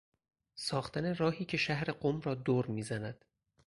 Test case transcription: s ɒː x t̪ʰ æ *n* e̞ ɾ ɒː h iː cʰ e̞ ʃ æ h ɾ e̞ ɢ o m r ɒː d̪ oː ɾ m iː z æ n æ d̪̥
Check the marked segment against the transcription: correct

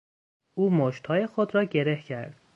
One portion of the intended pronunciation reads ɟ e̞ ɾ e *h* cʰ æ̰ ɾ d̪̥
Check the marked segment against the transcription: correct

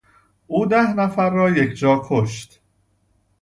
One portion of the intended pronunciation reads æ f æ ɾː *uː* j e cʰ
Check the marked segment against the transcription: incorrect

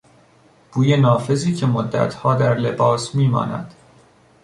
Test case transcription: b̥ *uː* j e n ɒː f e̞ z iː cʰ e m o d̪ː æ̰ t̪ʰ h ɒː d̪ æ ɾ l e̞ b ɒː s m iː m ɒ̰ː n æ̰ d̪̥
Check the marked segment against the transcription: correct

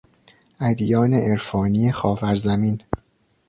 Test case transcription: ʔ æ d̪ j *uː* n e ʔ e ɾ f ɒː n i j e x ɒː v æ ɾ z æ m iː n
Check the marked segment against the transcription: incorrect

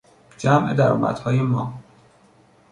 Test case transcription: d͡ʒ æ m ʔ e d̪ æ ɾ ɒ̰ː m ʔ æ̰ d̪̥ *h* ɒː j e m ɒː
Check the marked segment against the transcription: correct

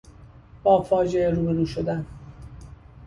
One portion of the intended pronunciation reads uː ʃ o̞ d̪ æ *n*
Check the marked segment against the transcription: correct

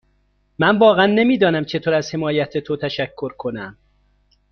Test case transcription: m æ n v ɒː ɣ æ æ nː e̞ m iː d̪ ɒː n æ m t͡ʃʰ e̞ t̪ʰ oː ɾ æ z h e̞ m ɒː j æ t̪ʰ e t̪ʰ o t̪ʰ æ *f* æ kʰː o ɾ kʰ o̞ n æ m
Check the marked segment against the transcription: incorrect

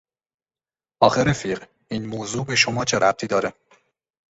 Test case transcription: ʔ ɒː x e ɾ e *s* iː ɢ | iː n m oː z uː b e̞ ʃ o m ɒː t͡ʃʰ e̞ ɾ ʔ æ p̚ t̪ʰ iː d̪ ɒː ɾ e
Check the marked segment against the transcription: incorrect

